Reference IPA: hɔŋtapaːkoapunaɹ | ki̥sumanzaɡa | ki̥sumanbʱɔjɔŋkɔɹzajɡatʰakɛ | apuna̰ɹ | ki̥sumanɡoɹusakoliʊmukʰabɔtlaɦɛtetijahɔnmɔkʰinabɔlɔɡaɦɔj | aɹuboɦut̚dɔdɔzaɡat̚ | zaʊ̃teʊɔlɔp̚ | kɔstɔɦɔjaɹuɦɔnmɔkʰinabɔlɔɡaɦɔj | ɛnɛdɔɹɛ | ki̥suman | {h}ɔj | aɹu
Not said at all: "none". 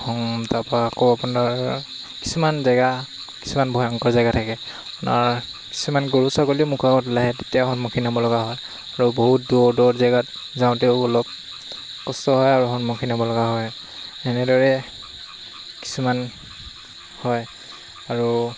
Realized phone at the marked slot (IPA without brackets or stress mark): h